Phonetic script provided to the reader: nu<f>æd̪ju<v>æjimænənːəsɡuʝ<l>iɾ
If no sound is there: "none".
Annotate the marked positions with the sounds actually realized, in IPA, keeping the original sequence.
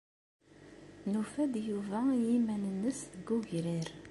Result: f, v, ɾ

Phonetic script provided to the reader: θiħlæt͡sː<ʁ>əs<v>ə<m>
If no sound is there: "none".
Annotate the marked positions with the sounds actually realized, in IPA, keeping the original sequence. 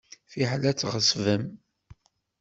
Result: ʁ, v, m

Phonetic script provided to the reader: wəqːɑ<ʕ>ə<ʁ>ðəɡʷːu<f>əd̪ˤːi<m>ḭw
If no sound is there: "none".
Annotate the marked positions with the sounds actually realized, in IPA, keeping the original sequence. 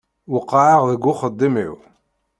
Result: ʕ, ʁ, χ, m

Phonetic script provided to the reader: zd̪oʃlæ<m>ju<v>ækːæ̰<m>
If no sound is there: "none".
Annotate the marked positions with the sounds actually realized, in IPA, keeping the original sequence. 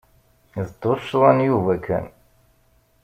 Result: n, v, n

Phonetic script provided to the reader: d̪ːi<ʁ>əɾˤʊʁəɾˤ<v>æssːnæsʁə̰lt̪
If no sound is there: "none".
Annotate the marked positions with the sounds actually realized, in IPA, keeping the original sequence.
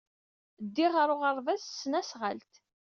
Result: ʁ, v

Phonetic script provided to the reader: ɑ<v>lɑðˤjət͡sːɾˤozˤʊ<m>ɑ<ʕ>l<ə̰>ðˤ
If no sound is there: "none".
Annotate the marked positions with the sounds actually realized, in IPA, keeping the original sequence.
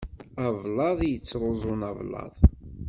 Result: v, n, v, ɑ̰

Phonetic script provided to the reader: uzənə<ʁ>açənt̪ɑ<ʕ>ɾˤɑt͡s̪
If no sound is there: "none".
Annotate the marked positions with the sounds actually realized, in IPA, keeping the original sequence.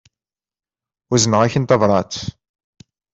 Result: ʁ, v

